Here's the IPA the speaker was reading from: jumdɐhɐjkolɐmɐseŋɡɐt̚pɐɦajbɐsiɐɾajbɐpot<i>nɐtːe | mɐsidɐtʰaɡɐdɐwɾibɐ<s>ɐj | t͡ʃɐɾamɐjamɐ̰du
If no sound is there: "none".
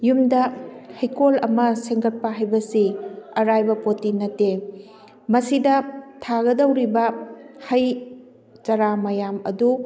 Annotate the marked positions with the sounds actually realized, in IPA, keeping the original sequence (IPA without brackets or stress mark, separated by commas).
i, h